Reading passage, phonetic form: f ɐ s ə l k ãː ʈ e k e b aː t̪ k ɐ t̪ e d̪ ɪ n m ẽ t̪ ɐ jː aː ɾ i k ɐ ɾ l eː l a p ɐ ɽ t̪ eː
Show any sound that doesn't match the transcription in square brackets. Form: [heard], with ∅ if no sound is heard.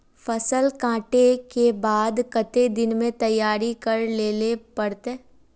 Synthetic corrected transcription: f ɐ s ə l k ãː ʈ e k e b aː [d̪] k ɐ t̪ e d̪ ɪ n m ẽ t̪ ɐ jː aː ɾ i k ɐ ɾ l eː l [e] p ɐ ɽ t̪ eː

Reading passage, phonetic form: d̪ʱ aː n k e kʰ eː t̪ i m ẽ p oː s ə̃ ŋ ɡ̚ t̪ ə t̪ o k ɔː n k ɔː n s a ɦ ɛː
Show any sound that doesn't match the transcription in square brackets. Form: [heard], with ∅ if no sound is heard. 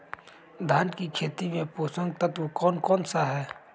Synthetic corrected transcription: d̪ʱ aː n k [i] kʰ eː t̪ i m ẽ p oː s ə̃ ŋ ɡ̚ t̪ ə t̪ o k ɔː n k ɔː n s a ɦ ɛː

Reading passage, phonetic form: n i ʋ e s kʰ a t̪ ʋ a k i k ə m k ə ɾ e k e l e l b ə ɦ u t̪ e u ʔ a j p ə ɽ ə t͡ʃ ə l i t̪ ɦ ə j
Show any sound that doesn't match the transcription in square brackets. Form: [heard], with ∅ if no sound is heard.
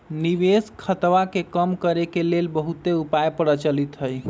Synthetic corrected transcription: n i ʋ e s kʰ [ə] t̪ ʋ a k [e] k ə m k ə ɾ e k e l e l b ə ɦ u t̪ e u [p] a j p ə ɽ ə t͡ʃ ə l i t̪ ɦ ə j

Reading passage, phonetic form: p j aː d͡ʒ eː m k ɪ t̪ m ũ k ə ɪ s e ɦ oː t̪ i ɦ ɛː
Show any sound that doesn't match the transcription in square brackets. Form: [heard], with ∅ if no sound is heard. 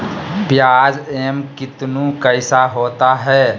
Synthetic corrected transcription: p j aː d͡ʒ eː m k ɪ t̪ [n] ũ k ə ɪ s [a] ɦ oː t̪ [a] ɦ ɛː

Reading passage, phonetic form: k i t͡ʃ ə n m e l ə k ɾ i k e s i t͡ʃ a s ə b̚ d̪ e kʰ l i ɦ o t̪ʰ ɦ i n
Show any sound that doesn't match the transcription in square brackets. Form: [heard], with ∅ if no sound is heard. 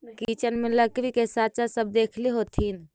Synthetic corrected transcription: k i t͡ʃ ə n m e l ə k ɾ i k e s [a] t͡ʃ a s ə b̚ d̪ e kʰ l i ɦ o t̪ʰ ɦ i n

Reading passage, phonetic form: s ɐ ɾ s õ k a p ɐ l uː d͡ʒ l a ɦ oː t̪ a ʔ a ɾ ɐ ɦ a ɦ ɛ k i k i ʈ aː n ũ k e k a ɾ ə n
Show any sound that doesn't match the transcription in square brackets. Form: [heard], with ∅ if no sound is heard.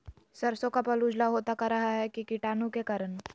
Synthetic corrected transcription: s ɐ ɾ s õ k a p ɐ l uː d͡ʒ l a ɦ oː t̪ a [k] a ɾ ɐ ɦ a ɦ ɛ k i k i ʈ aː n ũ k e k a ɾ ə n

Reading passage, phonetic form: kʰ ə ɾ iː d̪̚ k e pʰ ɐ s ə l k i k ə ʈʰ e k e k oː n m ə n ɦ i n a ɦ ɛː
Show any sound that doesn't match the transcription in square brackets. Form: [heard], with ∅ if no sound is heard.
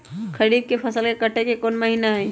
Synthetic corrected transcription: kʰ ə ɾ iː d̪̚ k e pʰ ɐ s ə l k [e] k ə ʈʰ e k e k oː n m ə [∅] ɦ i n a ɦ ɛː

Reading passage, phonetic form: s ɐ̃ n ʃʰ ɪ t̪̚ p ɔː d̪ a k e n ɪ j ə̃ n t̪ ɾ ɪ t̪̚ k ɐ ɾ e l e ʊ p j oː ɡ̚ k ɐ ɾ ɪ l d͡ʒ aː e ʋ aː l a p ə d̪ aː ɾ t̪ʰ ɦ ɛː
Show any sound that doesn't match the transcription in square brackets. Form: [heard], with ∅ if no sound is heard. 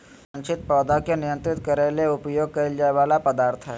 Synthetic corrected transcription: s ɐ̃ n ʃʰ ɪ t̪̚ p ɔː d̪ a k e n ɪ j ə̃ n t̪ ɾ ɪ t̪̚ k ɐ ɾ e l e ʊ p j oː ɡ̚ k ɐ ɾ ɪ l d͡ʒ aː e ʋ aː l a p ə d̪ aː ɾ t̪ʰ ɦ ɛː

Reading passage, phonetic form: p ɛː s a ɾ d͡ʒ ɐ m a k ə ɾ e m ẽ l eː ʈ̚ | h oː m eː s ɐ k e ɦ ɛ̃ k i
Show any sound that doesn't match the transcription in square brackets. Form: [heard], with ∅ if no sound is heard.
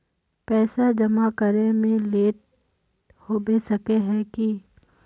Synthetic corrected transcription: p ɛː s a [∅] d͡ʒ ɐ m a k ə ɾ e m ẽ l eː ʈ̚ | h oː [b] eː s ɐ k e ɦ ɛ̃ k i

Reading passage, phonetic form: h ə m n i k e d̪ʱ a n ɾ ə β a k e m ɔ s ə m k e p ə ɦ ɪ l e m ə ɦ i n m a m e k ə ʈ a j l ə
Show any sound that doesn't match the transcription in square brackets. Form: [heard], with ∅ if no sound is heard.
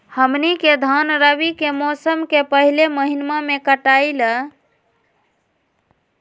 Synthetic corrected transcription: h ə m n i k e d̪ʱ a n ɾ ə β [i] k e m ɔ s ə m k e p ə ɦ [i] l e m ə ɦ i n m a m e k ə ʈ a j l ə

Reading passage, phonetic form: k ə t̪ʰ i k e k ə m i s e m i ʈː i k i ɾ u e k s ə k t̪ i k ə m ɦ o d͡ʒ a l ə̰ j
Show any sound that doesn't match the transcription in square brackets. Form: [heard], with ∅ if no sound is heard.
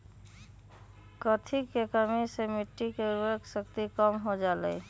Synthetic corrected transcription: k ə t̪ʰ i k e k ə m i s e m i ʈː i k [e] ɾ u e k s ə k t̪ i k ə m ɦ o d͡ʒ a l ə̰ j

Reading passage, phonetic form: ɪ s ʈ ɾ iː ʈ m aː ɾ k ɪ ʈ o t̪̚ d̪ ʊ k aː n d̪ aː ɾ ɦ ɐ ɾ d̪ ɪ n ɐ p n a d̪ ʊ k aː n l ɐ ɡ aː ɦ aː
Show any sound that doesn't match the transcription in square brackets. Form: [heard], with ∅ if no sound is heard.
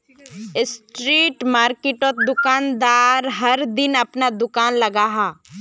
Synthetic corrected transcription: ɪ s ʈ ɾ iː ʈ m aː ɾ k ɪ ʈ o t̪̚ d̪ ʊ k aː n d̪ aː ɾ ɦ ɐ ɾ d̪ ɪ n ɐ p n a d̪ ʊ k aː n l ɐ ɡ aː ɦ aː

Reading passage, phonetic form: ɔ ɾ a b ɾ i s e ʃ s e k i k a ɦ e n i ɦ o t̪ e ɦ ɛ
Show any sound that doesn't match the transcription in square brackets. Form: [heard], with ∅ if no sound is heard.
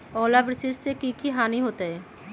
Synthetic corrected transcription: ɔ [l] a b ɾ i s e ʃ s e k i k [i] ɦ [a] n i ɦ o t̪ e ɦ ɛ

